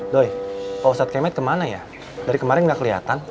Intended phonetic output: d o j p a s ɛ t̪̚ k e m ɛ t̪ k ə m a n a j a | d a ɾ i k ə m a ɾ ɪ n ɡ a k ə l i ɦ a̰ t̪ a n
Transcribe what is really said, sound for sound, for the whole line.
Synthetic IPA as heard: d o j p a s a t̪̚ k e m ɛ t̪ k ə m a n a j a | d a ɾ i k ə m a ɾ ɪ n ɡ a k ə l i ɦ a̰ t̪ a n